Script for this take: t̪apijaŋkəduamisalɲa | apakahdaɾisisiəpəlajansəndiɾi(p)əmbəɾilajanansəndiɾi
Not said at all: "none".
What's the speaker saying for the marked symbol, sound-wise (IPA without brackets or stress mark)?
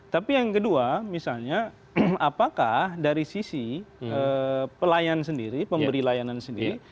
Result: p